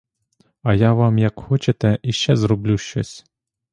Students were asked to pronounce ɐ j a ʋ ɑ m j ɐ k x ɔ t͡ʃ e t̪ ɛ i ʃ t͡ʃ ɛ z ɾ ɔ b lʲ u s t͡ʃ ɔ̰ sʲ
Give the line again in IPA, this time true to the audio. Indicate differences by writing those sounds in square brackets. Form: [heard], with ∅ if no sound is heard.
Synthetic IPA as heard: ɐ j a ʋ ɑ m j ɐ k x ɔ t͡ʃ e t̪ ɛ i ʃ t͡ʃ ɛ z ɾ ɔ b lʲ u [ʃ] t͡ʃ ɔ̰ sʲ

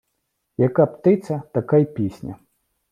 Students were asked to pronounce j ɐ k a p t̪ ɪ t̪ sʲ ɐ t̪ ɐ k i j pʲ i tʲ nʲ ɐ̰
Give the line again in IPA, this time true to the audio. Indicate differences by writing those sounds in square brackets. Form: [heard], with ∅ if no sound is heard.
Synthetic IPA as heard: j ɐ k a p t̪ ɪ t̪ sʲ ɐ t̪ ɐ k [a] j pʲ i [sʲ] nʲ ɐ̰

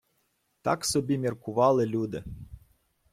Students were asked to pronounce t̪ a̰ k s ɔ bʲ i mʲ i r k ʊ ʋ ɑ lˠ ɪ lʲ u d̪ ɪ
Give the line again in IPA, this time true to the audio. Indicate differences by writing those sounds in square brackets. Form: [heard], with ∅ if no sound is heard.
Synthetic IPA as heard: t̪ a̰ k s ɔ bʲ i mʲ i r k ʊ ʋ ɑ lˠ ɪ lʲ u d̪ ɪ

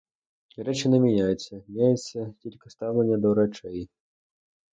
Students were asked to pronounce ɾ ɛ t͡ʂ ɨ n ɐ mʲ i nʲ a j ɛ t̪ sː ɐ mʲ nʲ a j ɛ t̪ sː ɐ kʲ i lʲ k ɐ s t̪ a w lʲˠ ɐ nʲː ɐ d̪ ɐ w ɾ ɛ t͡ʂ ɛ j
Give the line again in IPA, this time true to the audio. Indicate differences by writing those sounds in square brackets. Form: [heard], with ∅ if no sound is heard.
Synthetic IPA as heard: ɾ ɛ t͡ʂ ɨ n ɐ mʲ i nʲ a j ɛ t̪ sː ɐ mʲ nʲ a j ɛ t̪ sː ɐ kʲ i lʲ k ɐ s t̪ a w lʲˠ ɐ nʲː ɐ d̪ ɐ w ɾ [a] t͡ʂ ɛ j

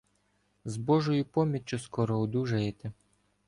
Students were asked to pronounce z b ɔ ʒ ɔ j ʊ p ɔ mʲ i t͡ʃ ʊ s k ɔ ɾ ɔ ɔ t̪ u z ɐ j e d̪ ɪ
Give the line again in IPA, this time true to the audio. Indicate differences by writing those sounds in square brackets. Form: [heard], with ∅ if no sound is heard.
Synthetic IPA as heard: z b ɔ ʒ ɔ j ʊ p ɔ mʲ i t͡ʃ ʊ s k ɔ ɾ ɔ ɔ [d̪] u [ʒ] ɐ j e [t̪] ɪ

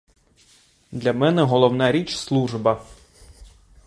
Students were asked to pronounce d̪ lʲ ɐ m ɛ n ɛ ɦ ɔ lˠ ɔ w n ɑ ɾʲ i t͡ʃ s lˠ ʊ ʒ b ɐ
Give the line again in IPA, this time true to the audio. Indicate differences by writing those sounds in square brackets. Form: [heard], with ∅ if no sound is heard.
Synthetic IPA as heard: d̪ lʲ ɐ m ɛ n ɛ ɦ ɔ lˠ ɔ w n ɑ ɾʲ i t͡ʃ s lˠ [u] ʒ b ɐ

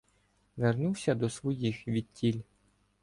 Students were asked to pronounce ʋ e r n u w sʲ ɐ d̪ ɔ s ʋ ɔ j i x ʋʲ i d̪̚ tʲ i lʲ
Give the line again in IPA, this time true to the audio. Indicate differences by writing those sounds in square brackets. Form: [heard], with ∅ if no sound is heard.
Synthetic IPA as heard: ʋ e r n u w sʲ ɐ d̪ ɔ s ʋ ɔ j i x ʋʲ i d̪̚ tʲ i lʲ

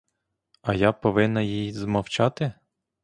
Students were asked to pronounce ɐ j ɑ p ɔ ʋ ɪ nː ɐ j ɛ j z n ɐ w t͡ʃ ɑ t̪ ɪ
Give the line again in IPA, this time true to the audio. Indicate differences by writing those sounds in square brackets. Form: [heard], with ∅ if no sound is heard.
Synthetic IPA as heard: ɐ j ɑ p ɔ ʋ ɪ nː ɐ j [i] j z [m] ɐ w t͡ʃ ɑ t̪ ɪ

